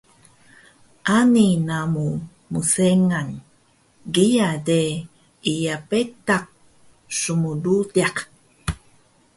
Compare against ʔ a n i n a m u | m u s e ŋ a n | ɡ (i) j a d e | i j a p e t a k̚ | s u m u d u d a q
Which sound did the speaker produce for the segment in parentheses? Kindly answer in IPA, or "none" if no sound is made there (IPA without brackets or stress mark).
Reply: i